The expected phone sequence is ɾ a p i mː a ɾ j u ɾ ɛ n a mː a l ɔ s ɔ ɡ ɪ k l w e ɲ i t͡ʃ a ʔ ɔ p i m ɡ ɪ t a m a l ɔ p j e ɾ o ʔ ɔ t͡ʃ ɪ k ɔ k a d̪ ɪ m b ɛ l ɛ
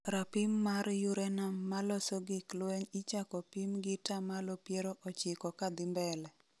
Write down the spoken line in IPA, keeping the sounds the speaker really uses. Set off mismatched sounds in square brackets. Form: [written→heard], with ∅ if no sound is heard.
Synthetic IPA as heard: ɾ a p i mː a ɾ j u ɾ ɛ n a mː a l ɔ s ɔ ɡ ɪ k l w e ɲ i t͡ʃ a [ʔ→k] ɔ p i m ɡ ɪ t a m a l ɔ p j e ɾ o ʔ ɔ t͡ʃ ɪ k ɔ k a d̪ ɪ m b ɛ l ɛ